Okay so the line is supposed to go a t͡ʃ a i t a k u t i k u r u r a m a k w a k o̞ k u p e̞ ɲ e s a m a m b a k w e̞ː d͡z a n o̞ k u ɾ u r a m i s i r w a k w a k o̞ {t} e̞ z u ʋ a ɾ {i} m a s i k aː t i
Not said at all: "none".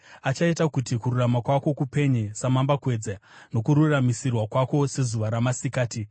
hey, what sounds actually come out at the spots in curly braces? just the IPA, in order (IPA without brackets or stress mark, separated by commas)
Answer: s, a